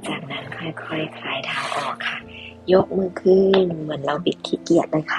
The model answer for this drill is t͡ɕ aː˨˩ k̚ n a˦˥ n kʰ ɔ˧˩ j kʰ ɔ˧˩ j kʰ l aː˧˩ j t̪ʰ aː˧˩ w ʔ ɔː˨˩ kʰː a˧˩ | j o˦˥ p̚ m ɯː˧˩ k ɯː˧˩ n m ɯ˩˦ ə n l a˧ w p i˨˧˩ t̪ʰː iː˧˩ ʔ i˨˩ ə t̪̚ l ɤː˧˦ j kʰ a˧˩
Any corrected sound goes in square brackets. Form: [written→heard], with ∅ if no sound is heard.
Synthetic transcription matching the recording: t͡ɕ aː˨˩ k̚ n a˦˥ n kʰ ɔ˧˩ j kʰ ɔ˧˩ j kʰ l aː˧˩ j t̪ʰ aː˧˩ w ʔ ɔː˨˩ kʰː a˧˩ | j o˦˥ [p̚→k̚] m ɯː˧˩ [k→kʰ] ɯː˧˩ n m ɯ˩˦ ə n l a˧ w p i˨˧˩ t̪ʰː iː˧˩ [ʔ→k] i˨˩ ə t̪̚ l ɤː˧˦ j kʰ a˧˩